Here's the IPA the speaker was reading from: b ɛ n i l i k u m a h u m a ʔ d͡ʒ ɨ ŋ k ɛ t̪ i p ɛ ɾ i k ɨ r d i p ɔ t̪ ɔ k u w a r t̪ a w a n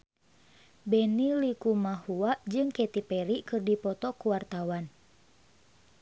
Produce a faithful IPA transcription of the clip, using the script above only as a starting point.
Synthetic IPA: b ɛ n i l i k u m a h u a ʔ d͡ʒ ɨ ŋ k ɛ t̪ i p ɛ ɾ i k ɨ r d i p ɔ t̪ ɔ k u w a r t̪ a w a n